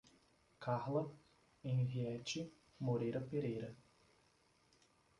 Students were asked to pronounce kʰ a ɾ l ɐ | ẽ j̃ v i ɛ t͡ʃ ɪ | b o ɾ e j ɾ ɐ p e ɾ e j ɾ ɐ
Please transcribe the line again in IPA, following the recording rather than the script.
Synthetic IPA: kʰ a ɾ l ɐ | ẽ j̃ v i ɛ t͡ʃ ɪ | m o ɾ e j ɾ ɐ p e ɾ e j ɾ ɐ